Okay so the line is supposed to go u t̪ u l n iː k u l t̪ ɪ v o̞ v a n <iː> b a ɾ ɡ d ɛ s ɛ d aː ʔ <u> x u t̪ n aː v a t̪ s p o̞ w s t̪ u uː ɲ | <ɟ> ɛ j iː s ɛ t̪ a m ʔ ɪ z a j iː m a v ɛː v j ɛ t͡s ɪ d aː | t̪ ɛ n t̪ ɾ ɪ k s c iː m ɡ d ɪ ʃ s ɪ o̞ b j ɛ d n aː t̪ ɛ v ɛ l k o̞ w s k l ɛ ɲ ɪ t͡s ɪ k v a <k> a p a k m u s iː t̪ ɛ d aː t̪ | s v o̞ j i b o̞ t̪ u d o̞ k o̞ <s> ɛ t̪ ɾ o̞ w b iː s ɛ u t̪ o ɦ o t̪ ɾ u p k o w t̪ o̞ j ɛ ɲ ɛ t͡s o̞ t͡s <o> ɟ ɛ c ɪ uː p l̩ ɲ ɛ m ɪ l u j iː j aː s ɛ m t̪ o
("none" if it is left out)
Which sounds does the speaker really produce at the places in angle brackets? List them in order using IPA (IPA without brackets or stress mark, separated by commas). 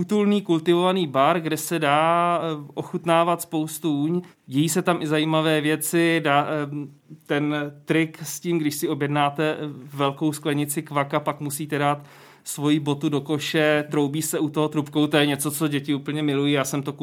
iː, o, ɟ, k, ʃ, o